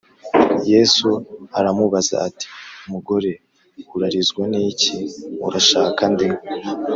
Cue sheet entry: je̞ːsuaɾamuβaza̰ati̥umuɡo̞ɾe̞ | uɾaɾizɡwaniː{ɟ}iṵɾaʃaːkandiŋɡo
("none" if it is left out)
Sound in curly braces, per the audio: c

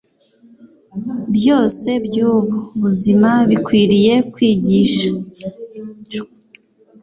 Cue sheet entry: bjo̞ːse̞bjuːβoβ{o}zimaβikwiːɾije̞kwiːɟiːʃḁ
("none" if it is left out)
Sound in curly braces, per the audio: u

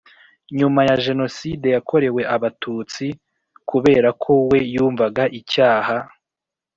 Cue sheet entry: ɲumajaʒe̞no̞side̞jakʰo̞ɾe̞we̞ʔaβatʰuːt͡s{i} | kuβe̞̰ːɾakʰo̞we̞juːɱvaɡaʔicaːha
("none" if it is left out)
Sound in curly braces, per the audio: i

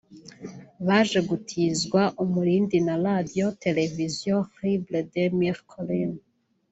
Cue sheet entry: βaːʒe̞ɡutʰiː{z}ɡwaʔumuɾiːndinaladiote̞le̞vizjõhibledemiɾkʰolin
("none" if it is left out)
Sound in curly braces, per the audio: z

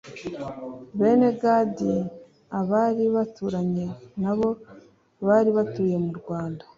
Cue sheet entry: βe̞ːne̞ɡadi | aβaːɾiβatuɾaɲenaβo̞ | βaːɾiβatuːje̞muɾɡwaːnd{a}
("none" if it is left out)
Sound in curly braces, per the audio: a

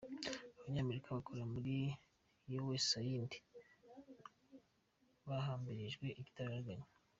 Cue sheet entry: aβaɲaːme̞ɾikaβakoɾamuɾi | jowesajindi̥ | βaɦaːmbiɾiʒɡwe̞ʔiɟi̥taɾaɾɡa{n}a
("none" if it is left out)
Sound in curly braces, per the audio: ɲ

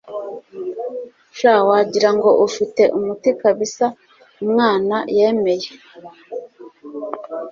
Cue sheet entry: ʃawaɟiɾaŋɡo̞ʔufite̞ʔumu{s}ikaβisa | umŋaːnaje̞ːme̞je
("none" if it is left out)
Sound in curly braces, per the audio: t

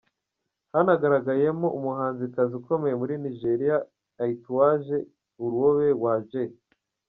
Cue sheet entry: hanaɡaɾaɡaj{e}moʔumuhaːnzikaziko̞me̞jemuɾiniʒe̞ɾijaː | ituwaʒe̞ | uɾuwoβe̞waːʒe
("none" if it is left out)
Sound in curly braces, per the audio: e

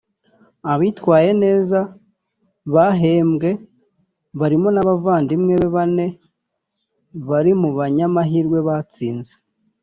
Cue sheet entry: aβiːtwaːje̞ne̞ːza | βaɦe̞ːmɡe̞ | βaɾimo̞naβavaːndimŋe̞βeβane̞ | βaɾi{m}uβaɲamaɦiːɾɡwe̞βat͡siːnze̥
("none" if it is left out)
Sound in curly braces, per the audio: m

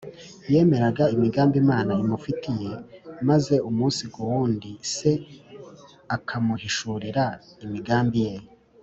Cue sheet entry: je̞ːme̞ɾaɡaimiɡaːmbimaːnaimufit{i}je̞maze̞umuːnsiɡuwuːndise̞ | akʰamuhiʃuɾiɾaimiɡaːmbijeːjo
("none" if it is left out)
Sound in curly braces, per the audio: i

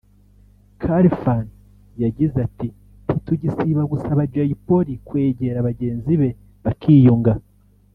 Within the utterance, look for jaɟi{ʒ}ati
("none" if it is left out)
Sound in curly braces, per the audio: z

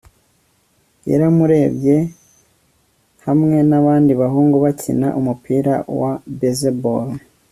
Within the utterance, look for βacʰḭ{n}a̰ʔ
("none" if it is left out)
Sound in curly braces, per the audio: n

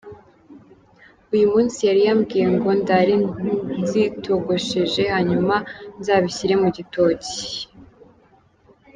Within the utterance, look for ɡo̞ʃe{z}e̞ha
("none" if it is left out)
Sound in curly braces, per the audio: ʒ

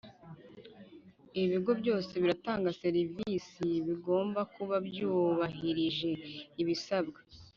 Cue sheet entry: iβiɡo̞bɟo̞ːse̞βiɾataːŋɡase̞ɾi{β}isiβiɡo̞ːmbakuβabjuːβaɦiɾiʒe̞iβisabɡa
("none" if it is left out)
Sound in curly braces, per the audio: v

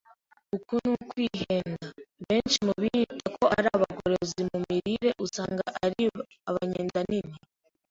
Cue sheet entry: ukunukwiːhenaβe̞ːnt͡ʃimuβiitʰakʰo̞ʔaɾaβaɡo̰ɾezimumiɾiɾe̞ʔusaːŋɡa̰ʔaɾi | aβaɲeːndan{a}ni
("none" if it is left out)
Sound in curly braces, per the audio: i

